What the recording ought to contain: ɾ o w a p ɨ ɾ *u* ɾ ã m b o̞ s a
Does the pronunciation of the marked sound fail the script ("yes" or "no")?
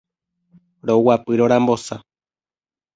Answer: yes